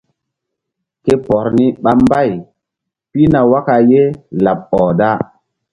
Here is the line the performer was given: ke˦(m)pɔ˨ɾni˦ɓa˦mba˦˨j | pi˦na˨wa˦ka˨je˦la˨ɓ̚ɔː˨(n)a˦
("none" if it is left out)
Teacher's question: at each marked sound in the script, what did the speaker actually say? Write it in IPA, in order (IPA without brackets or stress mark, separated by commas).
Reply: none, d